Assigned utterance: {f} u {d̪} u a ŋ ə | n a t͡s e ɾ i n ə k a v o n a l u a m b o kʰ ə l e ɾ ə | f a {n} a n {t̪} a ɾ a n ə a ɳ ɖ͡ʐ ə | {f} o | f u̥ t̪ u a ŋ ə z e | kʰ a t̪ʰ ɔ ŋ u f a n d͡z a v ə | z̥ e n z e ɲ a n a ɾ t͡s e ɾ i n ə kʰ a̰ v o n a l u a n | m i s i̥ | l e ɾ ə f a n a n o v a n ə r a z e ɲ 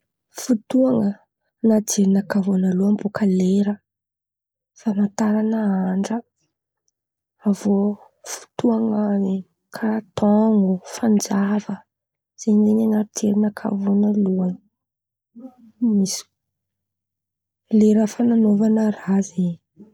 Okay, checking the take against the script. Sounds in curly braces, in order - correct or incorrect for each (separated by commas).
correct, incorrect, incorrect, correct, incorrect